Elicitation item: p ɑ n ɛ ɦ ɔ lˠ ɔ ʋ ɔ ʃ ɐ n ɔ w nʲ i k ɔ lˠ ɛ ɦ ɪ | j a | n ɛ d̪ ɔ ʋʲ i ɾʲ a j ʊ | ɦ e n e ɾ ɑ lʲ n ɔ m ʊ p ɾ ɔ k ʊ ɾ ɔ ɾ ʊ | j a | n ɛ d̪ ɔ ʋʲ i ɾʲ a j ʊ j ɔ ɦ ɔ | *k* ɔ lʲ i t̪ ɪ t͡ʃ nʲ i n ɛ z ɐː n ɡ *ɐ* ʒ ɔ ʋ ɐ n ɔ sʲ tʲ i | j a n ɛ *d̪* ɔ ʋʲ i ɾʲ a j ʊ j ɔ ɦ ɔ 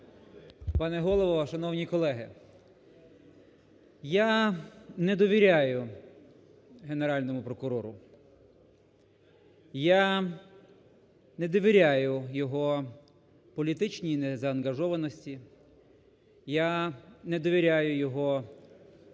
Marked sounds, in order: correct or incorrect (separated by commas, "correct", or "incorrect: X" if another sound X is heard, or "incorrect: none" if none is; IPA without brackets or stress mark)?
incorrect: p, correct, correct